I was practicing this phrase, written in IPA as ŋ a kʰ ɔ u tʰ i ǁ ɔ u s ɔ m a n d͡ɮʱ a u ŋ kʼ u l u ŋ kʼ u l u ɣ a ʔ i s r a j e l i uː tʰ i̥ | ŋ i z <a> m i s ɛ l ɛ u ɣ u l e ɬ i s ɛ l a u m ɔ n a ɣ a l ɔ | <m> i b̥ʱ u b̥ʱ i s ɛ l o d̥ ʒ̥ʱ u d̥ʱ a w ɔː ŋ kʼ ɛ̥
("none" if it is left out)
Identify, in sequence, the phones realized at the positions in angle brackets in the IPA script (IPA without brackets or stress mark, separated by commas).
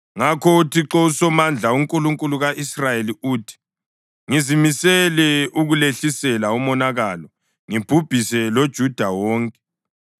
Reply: i, ŋ